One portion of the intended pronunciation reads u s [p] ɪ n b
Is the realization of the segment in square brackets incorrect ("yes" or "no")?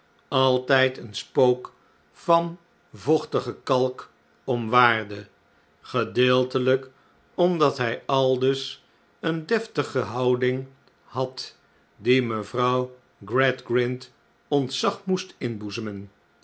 yes